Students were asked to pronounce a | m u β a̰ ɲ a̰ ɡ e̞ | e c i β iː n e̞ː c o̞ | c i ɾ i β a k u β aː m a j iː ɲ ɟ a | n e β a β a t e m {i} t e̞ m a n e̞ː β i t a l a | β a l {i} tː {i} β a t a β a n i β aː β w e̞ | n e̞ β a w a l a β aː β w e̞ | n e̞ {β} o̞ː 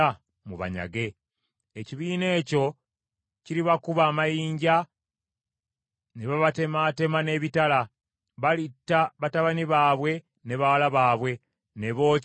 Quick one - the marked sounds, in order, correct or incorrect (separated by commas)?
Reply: incorrect, correct, incorrect, correct